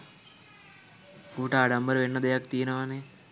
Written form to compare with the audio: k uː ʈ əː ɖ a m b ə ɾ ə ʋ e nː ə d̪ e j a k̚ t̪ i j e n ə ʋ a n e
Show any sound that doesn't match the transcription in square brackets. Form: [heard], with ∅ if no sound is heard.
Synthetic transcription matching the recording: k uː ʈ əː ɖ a m b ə ɾ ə ʋ e nː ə d̪ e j a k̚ t̪ i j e n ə ʋ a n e